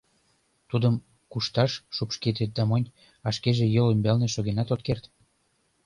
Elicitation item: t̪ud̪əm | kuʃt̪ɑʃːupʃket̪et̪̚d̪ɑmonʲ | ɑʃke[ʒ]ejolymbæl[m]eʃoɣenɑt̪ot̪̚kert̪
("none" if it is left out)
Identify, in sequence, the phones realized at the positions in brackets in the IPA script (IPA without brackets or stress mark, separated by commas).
ʒ, n